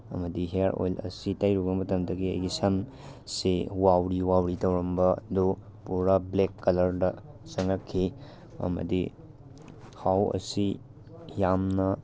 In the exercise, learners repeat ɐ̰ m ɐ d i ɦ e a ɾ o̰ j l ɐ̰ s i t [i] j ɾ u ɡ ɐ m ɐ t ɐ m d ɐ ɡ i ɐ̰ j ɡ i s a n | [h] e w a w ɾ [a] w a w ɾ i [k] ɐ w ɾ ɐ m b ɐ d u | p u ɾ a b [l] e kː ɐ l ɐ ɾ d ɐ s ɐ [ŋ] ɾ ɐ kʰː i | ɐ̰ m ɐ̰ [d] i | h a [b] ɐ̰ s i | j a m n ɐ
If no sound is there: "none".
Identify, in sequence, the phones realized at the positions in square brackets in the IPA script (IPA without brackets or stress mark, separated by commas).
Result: a, s, i, t, l, ŋ, d, w